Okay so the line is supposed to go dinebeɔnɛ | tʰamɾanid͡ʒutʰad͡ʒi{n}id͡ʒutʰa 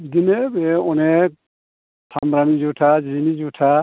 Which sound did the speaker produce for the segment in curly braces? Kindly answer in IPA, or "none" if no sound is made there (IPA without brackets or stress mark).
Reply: n